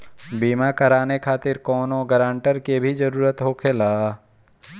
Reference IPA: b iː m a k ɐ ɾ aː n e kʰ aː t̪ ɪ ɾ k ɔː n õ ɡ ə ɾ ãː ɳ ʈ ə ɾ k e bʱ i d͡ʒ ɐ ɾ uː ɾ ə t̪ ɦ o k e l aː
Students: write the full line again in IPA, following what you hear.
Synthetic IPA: b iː m a k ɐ ɾ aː n e kʰ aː t̪ ɪ ɾ k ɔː n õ ɡ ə ɾ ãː ɳ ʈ ə ɾ k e bʱ i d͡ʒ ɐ ɾ uː ɾ ə t̪ ɦ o kʰ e l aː